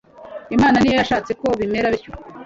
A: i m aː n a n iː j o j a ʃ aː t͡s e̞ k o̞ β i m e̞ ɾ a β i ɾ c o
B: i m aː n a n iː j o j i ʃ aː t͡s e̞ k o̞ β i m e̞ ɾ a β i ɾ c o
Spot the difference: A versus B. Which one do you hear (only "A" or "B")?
A